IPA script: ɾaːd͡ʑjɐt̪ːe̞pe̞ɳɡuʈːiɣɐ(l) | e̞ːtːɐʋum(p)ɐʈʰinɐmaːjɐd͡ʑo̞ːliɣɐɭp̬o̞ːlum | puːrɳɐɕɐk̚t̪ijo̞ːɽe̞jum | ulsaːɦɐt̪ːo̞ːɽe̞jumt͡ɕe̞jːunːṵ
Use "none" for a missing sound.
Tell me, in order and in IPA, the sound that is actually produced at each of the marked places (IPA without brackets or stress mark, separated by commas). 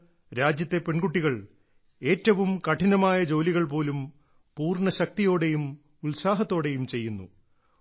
ɭ, k